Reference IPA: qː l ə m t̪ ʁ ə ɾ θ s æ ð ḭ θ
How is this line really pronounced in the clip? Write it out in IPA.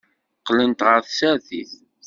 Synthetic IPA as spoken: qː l ə n t̪ ʁ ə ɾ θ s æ θ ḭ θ